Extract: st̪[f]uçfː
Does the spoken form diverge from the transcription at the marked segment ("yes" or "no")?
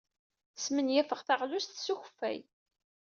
yes